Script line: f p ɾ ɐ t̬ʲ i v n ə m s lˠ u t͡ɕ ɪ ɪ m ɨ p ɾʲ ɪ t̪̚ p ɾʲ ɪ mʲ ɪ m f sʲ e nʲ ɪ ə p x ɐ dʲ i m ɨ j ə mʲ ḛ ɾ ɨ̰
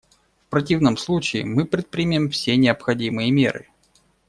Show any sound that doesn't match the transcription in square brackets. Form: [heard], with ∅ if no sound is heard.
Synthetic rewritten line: f p ɾ ɐ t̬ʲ i v n ə m s lˠ u t͡ɕ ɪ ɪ m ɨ p ɾʲ ɪ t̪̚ p ɾʲ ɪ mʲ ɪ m f sʲ e nʲ ɪ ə p x ɐ dʲ i m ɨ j ə mʲ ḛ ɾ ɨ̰